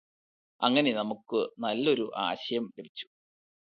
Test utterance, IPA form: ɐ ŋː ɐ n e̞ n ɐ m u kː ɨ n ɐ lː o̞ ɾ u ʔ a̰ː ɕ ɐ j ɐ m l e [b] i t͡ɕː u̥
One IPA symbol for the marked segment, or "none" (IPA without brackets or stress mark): b